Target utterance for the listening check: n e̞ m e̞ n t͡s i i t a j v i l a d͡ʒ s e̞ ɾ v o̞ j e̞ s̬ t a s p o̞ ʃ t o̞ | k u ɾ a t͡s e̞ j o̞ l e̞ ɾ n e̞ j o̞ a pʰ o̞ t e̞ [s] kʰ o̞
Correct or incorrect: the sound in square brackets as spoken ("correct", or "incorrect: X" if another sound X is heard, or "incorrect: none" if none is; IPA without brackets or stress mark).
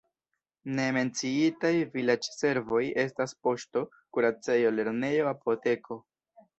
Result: incorrect: none